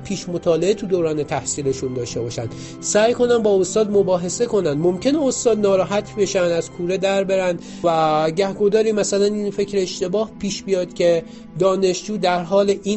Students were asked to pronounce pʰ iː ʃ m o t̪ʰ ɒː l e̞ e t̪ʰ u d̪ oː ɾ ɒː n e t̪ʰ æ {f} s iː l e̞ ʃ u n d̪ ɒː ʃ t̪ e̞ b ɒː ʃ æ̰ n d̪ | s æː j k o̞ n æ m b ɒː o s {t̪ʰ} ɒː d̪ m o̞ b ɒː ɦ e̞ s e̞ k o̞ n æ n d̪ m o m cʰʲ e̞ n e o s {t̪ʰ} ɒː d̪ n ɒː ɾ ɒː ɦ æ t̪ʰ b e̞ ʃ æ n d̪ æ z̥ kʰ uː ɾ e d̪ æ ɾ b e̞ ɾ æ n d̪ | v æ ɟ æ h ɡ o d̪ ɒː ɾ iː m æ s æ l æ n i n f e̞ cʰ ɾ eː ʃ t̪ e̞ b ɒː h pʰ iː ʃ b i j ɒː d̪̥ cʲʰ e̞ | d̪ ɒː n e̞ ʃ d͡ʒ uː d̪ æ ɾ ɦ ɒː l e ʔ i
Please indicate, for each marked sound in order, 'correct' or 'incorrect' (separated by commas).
incorrect, incorrect, incorrect